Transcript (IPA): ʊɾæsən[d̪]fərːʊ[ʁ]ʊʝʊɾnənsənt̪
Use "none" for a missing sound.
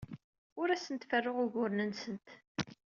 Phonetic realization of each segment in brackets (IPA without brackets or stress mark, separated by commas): t̪, ʁ